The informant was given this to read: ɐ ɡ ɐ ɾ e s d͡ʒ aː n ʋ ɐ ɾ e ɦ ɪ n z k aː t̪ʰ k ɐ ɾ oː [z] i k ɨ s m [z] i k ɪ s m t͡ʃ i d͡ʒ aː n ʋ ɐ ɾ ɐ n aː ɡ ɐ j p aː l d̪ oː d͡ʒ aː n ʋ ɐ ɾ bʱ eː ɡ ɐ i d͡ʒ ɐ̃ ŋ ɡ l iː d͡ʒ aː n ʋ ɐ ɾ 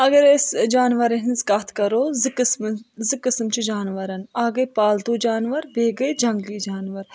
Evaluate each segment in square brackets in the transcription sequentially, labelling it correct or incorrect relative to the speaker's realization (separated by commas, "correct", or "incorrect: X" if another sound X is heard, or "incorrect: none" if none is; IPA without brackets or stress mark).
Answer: correct, correct